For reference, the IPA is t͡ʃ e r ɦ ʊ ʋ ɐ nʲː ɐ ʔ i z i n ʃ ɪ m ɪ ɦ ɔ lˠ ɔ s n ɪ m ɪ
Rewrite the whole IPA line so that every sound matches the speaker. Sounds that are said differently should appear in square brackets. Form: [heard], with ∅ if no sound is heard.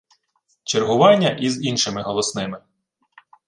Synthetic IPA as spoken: t͡ʃ e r ɦ ʊ ʋ [ɑ] nʲː ɐ ʔ i z i n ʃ ɪ m ɪ ɦ ɔ lˠ ɔ s n ɪ m ɪ